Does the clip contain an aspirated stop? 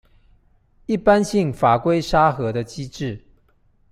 no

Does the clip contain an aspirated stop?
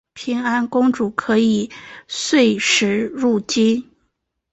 yes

